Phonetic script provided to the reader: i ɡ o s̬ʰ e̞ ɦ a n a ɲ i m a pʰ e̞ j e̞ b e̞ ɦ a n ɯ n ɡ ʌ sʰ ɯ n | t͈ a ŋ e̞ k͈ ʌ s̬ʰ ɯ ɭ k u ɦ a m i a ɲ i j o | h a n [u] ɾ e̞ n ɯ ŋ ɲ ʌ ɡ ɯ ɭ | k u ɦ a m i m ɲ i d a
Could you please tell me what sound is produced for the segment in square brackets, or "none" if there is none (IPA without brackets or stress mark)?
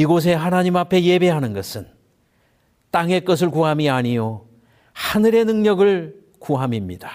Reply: ɯ